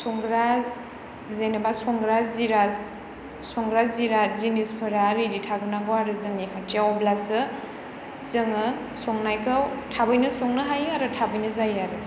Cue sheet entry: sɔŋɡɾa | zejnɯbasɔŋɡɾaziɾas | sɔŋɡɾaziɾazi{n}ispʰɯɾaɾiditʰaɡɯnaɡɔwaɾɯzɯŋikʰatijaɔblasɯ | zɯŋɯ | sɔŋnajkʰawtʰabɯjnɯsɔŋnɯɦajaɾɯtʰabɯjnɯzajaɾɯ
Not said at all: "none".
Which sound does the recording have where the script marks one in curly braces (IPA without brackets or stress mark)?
n